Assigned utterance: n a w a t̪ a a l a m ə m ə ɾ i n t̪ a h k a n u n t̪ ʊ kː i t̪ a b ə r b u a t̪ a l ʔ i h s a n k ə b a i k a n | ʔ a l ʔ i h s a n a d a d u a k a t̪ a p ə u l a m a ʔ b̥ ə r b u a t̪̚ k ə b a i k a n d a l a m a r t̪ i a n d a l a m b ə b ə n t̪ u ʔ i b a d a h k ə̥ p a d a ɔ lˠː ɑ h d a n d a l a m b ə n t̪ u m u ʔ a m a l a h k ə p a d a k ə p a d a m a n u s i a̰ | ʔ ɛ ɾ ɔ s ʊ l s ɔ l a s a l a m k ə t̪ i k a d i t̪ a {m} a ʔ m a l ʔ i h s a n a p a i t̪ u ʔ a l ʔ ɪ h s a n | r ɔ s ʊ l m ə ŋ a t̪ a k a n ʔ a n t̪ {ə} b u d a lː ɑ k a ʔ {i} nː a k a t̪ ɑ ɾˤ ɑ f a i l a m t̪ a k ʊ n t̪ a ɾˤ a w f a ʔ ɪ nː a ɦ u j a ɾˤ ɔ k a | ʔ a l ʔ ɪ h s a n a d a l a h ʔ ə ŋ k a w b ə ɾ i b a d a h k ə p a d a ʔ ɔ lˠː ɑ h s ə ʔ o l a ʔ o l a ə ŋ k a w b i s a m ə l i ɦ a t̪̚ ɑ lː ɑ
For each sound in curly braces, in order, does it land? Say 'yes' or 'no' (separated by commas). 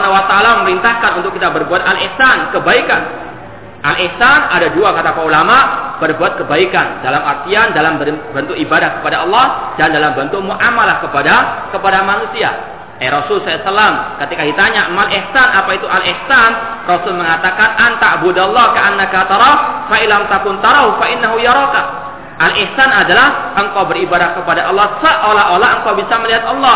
no, no, no